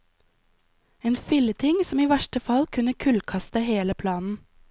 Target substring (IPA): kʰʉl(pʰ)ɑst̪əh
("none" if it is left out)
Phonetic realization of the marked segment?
kʰ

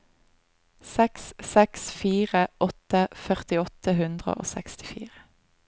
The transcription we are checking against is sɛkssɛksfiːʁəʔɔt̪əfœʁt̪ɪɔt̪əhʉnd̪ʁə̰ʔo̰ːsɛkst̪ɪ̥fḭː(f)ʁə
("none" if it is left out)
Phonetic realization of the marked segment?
none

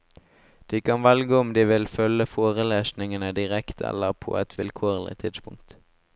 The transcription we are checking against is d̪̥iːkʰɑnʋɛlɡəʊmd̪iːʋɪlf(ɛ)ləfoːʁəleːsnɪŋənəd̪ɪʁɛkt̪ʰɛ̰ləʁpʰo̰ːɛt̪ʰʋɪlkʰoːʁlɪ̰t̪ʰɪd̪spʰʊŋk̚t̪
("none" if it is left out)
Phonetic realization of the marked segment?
œ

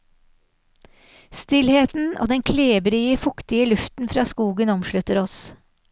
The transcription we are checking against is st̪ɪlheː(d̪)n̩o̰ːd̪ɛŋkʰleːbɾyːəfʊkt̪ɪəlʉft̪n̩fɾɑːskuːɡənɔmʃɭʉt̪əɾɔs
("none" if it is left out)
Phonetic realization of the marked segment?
t̪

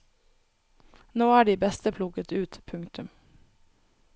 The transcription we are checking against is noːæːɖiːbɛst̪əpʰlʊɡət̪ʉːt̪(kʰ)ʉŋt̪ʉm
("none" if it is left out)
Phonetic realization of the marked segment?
pʰ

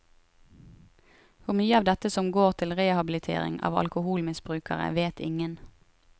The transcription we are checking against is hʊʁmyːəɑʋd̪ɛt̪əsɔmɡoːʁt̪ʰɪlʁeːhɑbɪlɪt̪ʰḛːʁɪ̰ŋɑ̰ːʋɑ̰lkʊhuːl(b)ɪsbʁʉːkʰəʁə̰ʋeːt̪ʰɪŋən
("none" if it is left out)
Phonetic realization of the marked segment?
m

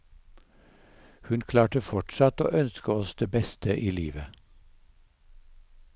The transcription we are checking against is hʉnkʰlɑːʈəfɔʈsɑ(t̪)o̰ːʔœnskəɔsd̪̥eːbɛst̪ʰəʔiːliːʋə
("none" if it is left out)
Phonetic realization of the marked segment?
t̪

